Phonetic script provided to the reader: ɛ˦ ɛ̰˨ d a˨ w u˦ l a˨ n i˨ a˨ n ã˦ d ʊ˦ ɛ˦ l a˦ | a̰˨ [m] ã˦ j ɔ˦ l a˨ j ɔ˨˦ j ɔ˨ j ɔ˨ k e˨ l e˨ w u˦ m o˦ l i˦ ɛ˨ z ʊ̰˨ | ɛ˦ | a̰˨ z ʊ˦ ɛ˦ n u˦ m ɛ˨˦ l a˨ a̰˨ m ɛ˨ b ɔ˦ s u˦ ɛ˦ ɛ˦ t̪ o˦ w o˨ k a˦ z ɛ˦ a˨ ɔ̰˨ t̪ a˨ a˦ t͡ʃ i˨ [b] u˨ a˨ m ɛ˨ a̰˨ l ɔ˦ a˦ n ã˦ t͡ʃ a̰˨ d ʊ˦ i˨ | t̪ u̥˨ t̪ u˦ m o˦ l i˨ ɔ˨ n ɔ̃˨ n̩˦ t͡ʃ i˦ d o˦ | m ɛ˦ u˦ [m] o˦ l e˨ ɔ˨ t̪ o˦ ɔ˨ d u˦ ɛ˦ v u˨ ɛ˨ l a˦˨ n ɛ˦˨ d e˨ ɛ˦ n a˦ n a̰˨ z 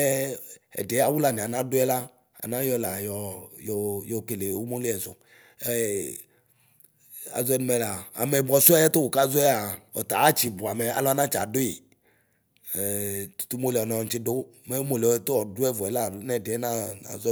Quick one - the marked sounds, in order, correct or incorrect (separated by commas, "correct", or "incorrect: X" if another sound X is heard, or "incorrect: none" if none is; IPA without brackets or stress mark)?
incorrect: n, correct, correct